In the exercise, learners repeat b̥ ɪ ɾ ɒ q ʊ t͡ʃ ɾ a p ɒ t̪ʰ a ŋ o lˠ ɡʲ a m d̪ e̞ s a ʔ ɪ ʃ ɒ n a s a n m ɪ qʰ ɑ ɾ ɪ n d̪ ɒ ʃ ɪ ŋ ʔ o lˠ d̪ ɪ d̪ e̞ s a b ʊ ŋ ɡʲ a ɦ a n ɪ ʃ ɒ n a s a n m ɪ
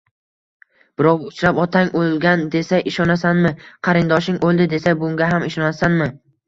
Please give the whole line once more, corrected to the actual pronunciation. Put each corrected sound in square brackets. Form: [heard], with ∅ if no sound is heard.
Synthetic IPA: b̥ ɪ ɾ ɒ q ʊ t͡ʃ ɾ a p ɒ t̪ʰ a ŋ o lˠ ɡʲ a [n] d̪ e̞ s a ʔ ɪ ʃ ɒ n a s a n m ɪ qʰ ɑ ɾ ɪ n d̪ ɒ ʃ ɪ ŋ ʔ o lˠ d̪ ɪ d̪ e̞ s a b ʊ ŋ ɡʲ a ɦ a [m] ɪ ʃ ɒ n a s a n m ɪ

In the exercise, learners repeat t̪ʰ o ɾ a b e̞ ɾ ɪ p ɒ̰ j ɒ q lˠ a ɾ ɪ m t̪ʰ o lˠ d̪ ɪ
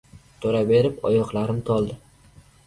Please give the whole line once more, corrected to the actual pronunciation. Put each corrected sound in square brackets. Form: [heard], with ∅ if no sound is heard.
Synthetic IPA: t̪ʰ o ɾ a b e̞ ɾ ɪ p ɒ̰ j ɒ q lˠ a ɾ ɪ m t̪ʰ [ɒ] lˠ d̪ ɪ

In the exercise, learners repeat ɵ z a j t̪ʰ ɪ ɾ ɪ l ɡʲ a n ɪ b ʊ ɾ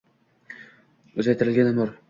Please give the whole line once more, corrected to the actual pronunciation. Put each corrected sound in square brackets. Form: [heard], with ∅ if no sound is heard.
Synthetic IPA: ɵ z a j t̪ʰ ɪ ɾ ɪ l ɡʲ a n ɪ [m] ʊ ɾ

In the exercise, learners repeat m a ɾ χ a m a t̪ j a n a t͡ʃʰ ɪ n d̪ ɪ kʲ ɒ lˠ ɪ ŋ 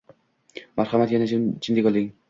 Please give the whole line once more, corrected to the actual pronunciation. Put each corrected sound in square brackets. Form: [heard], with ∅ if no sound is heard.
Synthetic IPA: m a ɾ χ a m a t̪ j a n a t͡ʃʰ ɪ n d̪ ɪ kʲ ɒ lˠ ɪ ŋ

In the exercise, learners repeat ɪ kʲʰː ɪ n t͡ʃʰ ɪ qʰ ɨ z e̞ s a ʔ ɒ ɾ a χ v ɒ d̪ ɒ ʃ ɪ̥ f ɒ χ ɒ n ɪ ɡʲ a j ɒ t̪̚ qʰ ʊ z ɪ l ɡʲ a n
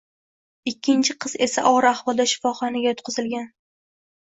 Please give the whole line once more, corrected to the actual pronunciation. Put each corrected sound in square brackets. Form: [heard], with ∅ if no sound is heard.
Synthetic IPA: ɪ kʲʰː ɪ n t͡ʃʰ ɪ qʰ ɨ z e̞ s a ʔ ɒ ɾ a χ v ɒ d̪ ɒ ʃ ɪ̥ f ɒ χ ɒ n ɪ ɡʲ a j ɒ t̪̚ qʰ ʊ z ɪ l ɡʲ a n

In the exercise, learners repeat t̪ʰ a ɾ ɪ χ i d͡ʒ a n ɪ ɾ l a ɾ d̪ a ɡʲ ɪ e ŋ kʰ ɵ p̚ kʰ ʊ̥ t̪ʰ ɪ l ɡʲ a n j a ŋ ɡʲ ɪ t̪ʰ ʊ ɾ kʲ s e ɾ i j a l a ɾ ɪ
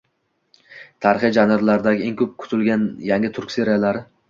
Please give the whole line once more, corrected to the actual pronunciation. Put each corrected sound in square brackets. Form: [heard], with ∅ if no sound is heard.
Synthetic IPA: t̪ʰ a ɾ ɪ χ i d͡ʒ a n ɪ ɾ l a ɾ d̪ a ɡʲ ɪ e ŋ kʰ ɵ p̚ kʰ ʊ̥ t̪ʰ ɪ l ɡʲ a n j a ŋ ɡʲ ɪ t̪ʰ ʊ ɾ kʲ s e ɾ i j a l a ɾ ɪ

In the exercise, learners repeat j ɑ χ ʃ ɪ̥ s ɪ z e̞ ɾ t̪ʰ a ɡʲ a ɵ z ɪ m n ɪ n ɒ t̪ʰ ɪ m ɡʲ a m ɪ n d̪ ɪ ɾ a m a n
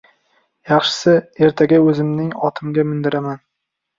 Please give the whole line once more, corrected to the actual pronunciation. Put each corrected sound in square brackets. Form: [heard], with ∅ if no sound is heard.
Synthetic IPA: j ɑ χ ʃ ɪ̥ s ɪ [∅] e̞ ɾ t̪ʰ a ɡʲ a ɵ z ɪ m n ɪ [ŋ] ɒ t̪ʰ ɪ m ɡʲ a m ɪ n d̪ ɪ ɾ a m a n

